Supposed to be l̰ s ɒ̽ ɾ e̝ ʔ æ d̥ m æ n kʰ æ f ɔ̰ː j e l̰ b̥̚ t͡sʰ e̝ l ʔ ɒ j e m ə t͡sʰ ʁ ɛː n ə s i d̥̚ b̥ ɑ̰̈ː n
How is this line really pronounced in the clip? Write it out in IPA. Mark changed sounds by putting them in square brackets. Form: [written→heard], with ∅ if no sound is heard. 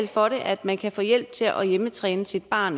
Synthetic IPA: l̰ [s→f] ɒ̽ ɾ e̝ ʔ æ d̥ m æ n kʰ æ f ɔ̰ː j e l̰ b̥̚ t͡sʰ e̝ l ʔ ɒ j e m ə t͡sʰ ʁ ɛː n ə s i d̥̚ b̥ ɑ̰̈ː n